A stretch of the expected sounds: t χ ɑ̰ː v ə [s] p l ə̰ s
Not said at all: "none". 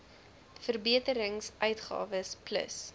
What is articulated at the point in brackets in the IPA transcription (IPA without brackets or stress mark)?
s